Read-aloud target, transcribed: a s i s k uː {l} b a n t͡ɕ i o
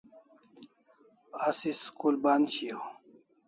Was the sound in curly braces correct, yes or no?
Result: yes